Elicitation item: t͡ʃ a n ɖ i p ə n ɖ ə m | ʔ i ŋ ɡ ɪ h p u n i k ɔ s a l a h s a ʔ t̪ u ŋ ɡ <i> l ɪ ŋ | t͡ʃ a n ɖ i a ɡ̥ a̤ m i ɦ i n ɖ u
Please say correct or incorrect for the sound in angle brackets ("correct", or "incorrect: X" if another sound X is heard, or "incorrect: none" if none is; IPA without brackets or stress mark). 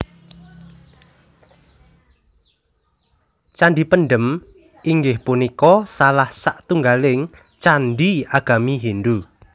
incorrect: a